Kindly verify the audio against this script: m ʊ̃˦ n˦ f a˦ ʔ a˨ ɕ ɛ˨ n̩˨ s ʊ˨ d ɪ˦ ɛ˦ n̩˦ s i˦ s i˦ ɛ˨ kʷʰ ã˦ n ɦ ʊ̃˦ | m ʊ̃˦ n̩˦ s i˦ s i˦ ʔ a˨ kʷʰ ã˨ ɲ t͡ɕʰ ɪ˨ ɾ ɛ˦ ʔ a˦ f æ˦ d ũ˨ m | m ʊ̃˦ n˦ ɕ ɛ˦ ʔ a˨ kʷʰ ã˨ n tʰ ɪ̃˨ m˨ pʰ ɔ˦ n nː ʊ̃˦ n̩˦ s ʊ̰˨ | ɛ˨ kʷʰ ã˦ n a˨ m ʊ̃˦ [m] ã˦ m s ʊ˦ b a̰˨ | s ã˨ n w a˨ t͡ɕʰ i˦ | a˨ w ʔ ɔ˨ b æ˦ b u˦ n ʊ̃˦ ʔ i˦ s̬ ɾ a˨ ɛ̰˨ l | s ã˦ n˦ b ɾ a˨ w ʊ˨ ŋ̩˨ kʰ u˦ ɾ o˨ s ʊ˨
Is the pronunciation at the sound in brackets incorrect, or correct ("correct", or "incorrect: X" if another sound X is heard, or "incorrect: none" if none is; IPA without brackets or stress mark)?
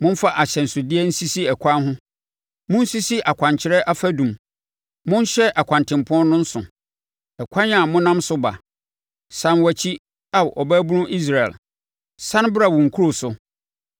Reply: incorrect: n